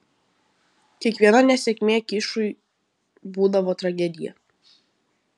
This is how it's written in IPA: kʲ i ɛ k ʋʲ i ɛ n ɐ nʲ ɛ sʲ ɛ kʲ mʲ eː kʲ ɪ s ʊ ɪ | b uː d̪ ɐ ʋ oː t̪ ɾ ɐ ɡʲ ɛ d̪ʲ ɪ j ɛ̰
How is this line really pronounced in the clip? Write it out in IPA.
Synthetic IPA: kʲ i ɛ k ʋʲ i ɛ n ɐ nʲ ɛ sʲ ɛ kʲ mʲ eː kʲ ɪ ʃ ʊ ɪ | b uː d̪ ɐ ʋ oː t̪ ɾ ɐ ɡʲ ɛ d̪ʲ ɪ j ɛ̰